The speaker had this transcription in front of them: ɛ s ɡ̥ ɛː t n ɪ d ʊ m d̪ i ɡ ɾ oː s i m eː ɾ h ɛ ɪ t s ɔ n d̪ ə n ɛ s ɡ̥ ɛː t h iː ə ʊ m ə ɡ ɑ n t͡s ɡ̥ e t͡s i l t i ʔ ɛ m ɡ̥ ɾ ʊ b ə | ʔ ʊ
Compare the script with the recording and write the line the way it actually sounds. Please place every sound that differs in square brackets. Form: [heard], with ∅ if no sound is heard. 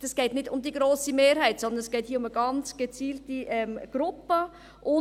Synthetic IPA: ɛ s ɡ̥ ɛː t n ɪ d ʊ m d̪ i ɡ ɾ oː s i m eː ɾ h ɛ ɪ t s ɔ n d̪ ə n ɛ s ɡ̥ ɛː t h iː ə ʊ m ə ɡ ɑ n t͡s ɡ̥ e t͡s [iː] l t i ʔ ɛ m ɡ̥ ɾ ʊ [p] ə | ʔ ʊ